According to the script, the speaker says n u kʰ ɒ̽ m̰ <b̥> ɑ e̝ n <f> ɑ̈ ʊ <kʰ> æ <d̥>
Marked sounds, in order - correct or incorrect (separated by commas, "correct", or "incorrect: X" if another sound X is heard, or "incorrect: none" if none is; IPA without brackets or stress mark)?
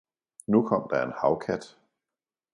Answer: incorrect: d̥, incorrect: h, correct, correct